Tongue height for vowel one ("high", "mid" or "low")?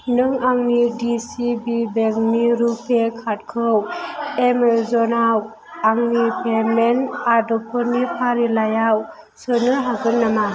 high